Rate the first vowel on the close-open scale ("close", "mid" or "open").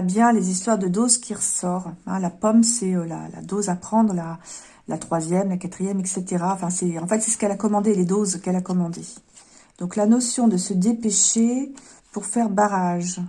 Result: mid